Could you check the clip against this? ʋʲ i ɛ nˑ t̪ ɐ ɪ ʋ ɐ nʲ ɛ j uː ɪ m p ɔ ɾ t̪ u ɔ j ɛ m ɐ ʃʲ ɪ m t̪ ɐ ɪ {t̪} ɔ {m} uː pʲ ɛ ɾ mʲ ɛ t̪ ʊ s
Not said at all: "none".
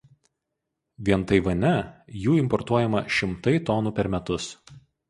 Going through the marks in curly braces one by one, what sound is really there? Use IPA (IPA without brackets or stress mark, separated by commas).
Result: t̪, n